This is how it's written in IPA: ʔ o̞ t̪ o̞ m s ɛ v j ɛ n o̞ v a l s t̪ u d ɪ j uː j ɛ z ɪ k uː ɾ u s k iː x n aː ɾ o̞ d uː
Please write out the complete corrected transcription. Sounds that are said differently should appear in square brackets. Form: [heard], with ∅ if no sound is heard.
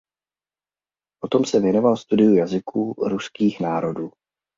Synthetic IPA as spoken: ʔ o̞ t̪ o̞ m s ɛ v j ɛ n o̞ v a l s t̪ u d ɪ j [u] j [a] z ɪ k uː ɾ u s k iː x n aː ɾ o̞ d uː